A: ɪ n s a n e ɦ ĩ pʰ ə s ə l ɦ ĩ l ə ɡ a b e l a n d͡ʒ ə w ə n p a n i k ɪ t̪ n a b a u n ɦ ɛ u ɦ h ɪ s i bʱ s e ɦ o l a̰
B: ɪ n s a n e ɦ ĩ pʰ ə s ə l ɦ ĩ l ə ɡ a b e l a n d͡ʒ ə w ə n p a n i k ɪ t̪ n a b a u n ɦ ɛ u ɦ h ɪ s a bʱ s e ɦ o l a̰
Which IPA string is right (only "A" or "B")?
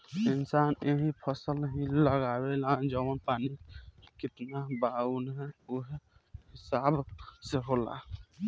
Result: B